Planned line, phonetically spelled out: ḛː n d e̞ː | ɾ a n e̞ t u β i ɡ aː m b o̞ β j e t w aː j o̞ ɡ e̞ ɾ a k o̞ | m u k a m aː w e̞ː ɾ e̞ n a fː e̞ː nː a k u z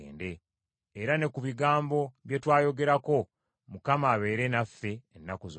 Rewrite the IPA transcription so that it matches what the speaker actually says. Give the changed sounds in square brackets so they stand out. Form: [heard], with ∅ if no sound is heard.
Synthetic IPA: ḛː n d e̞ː | ɾ a n e̞ [k] u β i ɡ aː m b o̞ β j e t w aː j o̞ ɡ e̞ ɾ a k o̞ | m u k a m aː [β] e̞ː ɾ e̞ n a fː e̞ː nː a k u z